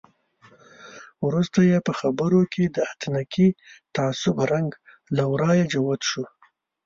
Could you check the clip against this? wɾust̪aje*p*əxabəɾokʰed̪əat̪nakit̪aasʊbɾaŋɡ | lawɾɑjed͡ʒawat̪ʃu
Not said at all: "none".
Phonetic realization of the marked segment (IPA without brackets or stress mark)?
p